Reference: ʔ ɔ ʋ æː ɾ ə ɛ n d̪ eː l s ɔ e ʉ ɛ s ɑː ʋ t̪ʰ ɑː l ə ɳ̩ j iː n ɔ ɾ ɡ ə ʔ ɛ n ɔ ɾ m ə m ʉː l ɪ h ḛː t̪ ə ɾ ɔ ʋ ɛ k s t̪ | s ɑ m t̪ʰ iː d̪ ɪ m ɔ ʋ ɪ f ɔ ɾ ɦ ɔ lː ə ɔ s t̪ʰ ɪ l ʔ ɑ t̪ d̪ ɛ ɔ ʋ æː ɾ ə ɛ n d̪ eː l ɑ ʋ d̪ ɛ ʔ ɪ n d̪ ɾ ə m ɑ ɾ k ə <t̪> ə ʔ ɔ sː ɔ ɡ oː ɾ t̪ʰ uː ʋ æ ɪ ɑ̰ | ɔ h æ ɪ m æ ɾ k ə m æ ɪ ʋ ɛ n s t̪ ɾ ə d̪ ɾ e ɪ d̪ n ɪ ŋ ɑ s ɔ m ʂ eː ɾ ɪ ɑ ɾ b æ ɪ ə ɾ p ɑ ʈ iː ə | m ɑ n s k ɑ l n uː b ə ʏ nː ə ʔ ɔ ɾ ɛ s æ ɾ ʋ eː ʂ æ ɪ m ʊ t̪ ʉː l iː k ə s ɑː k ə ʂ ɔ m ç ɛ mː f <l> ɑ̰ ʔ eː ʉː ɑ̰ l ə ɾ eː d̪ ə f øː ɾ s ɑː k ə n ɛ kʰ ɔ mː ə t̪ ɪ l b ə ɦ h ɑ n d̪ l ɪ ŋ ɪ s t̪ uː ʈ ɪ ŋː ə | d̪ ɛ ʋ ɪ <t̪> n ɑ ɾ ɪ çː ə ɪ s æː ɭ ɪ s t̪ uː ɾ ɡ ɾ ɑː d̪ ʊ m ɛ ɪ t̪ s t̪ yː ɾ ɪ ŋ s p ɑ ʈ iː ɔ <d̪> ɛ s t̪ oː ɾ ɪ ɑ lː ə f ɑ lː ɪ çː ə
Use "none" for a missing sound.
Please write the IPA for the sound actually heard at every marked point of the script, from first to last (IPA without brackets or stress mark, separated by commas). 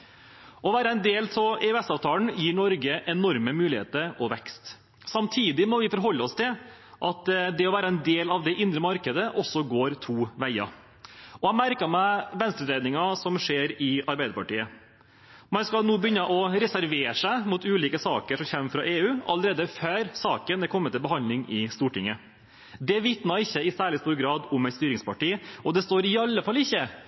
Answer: d̪, ɾ, t̪, d̪